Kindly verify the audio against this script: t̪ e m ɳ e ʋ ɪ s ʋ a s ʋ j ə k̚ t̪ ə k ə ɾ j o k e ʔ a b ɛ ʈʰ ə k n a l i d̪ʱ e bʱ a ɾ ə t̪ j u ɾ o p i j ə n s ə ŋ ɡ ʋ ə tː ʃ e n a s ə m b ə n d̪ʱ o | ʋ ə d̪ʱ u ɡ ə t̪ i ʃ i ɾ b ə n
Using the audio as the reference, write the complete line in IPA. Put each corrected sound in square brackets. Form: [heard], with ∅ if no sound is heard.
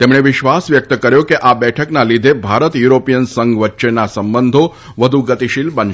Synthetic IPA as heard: t̪ e m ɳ e ʋ ɪ [ʃ] ʋ a s ʋ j ə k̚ t̪ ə k ə ɾ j o k e ʔ a b ɛ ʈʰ ə k n a l i d̪ʱ e bʱ a ɾ ə t̪ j u ɾ o p i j ə n s ə ŋ ɡ ʋ ə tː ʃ e n a s ə m b ə n d̪ʱ o | ʋ ə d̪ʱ u ɡ ə t̪ i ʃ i [l] b ə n